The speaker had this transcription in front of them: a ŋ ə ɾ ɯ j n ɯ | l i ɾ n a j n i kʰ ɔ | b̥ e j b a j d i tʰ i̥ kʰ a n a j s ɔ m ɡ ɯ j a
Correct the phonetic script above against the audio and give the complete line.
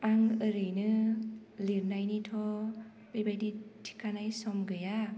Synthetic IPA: a ŋ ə ɾ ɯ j n ɯ | l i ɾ n a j n i tʰ ɔ | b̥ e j b a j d i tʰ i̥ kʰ a n a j s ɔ m ɡ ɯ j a